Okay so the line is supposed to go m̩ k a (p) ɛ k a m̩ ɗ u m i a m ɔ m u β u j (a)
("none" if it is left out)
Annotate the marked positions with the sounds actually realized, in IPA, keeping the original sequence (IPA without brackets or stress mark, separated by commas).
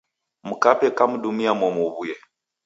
p, ɛ